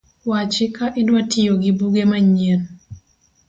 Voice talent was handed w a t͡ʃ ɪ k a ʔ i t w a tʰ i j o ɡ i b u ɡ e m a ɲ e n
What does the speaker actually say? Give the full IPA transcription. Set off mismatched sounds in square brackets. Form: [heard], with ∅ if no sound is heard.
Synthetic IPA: w a t͡ʃ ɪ k a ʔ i [d] w a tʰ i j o ɡ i b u ɡ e m a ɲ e n